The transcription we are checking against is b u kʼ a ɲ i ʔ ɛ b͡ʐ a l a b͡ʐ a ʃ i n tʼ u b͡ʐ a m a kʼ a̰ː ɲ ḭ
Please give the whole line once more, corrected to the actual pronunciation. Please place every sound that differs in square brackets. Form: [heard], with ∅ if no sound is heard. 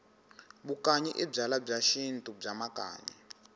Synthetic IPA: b u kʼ a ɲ i ʔ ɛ b͡ʐ a l a b͡ʐ a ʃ i n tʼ u b͡ʐ a m a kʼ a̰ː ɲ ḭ